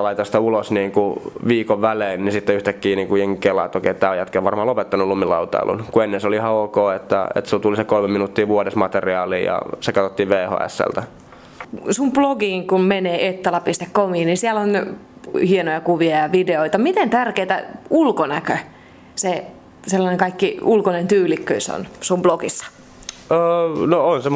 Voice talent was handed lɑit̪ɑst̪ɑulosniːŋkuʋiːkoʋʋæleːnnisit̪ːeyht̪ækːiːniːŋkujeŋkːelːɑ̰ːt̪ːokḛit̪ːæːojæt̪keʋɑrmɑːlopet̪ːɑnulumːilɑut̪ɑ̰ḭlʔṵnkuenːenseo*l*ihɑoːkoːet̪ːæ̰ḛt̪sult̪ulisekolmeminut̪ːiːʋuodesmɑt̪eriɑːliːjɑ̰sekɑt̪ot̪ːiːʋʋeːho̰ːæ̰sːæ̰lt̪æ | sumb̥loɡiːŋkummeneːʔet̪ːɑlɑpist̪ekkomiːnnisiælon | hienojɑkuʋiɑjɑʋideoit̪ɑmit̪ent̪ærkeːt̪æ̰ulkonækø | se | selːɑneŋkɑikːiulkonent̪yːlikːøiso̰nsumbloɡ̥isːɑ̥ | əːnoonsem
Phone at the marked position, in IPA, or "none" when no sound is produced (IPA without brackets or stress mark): l